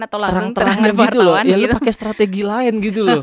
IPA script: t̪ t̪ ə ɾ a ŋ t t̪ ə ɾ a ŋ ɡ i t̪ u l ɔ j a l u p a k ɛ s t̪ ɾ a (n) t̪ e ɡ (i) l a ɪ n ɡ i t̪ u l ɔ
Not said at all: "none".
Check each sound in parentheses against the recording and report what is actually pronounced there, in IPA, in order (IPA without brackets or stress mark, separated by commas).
none, i